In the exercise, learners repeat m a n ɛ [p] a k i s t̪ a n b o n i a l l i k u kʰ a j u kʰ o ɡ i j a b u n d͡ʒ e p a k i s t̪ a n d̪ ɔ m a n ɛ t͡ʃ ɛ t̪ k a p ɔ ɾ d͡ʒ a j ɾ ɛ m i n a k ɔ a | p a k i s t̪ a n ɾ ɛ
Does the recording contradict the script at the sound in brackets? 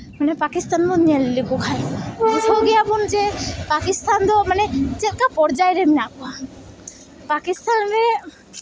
no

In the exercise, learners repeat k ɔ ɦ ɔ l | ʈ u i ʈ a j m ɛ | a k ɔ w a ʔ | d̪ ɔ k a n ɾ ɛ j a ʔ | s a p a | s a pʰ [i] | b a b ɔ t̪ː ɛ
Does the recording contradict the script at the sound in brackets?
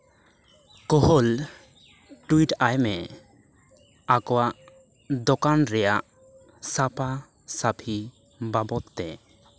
no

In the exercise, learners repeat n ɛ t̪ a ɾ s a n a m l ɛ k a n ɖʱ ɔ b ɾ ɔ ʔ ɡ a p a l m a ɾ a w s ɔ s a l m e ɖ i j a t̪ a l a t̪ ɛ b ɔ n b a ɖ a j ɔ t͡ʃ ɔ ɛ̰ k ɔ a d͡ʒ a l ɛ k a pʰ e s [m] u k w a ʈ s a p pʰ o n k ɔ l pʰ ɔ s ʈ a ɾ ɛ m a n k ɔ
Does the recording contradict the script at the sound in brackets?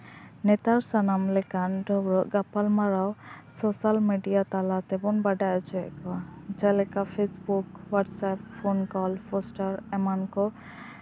yes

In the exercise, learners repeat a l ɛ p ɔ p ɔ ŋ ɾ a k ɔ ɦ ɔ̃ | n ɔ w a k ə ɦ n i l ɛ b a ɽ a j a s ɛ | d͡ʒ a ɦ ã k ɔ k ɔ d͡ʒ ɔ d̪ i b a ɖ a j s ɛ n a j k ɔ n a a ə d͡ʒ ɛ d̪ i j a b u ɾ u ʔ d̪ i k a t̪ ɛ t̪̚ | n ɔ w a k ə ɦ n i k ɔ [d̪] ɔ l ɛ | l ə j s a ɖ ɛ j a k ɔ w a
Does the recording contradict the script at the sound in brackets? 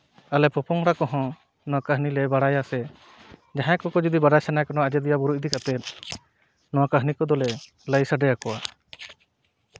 no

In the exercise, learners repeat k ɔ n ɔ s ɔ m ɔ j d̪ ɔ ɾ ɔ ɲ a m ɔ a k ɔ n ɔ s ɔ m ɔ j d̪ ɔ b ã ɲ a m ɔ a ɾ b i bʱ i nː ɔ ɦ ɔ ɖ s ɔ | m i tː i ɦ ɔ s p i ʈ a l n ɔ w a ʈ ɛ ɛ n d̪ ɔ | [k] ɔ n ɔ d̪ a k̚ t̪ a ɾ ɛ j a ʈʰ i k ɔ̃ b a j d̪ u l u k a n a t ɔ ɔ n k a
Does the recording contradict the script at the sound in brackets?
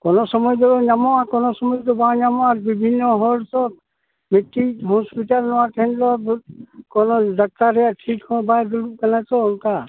no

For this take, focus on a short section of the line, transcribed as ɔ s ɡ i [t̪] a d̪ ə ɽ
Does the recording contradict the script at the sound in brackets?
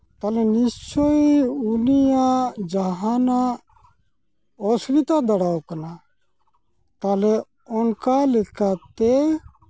no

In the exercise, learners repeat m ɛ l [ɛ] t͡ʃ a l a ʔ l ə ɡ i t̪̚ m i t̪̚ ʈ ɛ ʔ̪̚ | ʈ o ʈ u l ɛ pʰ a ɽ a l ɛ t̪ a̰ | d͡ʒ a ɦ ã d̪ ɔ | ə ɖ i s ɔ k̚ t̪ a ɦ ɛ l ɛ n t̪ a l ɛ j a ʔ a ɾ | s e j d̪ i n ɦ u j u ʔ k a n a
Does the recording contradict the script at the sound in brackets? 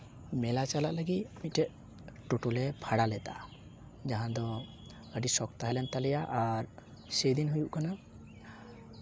yes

